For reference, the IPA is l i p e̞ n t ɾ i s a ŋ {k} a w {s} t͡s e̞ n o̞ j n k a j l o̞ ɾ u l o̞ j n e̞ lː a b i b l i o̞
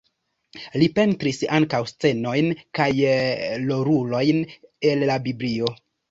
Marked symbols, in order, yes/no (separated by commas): yes, yes